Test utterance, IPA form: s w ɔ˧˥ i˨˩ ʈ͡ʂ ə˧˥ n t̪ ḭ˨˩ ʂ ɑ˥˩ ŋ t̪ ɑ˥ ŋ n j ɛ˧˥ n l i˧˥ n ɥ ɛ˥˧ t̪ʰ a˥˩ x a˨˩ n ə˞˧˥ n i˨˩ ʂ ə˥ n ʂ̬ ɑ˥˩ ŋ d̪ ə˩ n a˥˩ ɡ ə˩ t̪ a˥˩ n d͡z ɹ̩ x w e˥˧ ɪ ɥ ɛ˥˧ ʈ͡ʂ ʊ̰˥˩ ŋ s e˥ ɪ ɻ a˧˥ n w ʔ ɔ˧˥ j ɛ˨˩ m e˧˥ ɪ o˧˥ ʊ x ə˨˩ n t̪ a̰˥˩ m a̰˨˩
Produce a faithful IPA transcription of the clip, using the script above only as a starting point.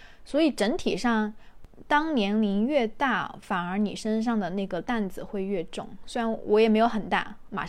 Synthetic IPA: s w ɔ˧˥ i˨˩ ʈ͡ʂ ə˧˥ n t̪ʰ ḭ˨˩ ʂ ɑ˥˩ ŋ t̪ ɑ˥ ŋ n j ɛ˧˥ n l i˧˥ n ɥ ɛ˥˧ t̪ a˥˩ f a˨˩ n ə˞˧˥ n i˨˩ ʂ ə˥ n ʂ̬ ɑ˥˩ ŋ d̪ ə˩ n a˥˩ ɡ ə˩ t̪ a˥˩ n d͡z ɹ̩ x w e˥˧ ɪ ɥ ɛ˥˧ ʈ͡ʂ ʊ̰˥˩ ŋ s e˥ ɪ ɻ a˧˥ n w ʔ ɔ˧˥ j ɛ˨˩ m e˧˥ ɪ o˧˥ ʊ x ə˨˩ n t̪ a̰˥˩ m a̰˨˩